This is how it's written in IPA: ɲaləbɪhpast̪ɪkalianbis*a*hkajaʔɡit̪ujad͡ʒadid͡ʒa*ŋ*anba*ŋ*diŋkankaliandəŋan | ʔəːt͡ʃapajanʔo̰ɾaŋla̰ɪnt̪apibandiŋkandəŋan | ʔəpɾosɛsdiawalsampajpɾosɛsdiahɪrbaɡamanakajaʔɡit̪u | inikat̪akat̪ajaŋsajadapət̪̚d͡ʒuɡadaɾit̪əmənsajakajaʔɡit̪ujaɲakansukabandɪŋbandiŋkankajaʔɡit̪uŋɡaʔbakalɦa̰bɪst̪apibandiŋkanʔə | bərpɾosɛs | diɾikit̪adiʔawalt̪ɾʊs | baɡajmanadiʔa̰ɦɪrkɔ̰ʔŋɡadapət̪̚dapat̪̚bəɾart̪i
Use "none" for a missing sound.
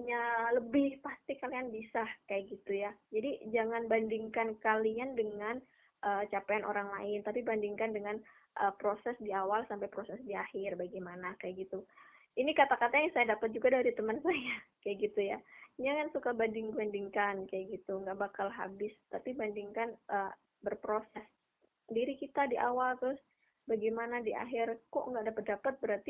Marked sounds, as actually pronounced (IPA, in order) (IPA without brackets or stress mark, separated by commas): a, ŋ, n